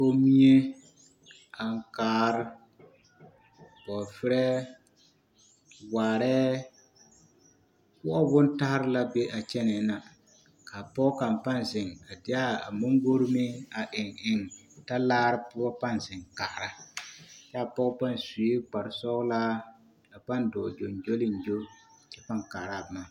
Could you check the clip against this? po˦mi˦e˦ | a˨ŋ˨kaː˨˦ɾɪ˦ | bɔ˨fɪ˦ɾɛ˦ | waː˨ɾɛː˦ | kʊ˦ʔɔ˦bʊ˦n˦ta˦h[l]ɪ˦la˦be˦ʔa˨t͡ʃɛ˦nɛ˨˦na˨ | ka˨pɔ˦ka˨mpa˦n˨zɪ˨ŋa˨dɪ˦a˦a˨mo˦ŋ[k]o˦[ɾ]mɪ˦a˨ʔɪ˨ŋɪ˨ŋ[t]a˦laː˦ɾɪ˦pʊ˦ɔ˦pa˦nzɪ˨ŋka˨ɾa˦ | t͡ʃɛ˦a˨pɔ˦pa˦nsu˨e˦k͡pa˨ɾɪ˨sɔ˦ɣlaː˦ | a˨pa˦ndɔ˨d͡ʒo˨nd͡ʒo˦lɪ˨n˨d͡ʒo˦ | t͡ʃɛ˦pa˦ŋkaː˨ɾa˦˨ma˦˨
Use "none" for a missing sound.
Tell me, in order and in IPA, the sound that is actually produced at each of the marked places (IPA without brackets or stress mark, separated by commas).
ɾ, ɡ, ɾ, t